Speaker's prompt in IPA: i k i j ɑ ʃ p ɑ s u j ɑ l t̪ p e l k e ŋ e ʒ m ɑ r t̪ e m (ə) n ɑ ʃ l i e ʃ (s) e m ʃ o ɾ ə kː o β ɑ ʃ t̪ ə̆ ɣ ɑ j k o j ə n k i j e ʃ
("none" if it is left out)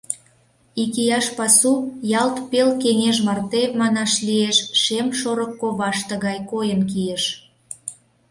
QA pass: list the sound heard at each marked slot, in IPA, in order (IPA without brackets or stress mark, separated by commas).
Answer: ɑ, ʃ